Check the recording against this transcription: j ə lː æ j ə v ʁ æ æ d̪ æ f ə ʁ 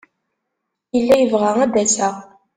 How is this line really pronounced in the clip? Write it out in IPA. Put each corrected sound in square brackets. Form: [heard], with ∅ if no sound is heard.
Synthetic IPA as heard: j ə lː æ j ə v ʁ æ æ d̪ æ [s] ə ʁ